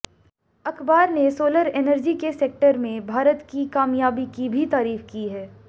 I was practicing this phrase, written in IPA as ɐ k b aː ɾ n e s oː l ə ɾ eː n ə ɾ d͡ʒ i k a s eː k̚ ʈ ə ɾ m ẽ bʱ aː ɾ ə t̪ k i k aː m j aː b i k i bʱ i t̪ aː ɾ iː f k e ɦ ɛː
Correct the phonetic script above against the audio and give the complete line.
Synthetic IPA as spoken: ɐ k b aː ɾ n e s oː l ə ɾ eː n ə ɾ d͡ʒ i k e s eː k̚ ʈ ə ɾ m ẽ bʱ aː ɾ ə t̪ k i k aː m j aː b i k i bʱ i t̪ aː ɾ iː f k i ɦ ɛː